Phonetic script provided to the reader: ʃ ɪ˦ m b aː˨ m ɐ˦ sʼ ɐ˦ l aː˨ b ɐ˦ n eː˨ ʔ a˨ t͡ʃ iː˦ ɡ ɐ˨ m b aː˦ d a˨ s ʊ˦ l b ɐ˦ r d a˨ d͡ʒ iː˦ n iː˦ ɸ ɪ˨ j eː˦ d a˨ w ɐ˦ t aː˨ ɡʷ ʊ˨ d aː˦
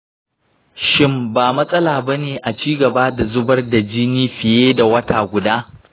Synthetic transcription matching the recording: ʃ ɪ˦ m b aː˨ m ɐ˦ sʼ ɐ˦ l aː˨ b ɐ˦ n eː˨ ʔ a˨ t͡ʃ iː˦ ɡ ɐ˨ b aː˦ d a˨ z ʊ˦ b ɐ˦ r d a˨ d͡ʒ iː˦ n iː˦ ɸ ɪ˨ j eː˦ d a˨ w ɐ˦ t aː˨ ɡʷ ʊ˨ d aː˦